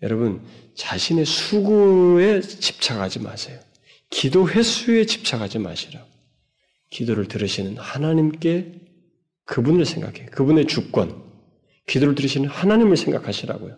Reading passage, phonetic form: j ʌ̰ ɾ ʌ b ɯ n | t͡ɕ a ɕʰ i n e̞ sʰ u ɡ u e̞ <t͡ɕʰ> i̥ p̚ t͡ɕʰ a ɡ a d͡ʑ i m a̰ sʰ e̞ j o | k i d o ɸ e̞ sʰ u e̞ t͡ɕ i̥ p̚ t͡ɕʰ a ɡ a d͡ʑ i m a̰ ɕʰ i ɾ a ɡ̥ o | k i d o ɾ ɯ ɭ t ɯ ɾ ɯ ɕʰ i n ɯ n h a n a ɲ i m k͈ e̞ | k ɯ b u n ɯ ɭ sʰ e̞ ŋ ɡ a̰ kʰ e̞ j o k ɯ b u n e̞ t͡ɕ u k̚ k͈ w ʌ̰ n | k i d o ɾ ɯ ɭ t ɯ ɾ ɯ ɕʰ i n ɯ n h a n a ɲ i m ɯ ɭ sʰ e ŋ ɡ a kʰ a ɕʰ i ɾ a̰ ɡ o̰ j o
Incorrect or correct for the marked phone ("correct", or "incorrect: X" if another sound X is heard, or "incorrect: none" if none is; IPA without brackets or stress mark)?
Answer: incorrect: t͡ɕ